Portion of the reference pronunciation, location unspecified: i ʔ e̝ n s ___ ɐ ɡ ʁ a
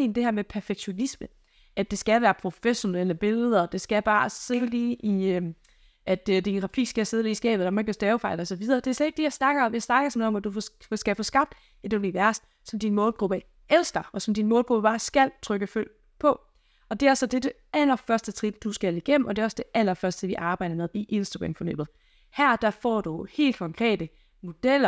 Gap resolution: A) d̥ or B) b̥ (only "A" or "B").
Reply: A